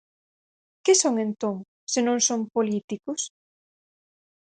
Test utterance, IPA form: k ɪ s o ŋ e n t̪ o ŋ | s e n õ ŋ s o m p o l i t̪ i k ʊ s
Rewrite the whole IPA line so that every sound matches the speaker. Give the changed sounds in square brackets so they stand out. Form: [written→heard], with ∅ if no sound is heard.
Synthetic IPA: k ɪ s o ŋ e n t̪ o ŋ | s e n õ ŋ s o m p o l i t̪ i k ʊ s